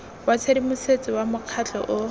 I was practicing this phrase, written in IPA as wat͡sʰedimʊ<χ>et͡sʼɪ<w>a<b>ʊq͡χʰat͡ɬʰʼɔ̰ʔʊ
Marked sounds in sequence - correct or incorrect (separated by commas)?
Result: incorrect, correct, incorrect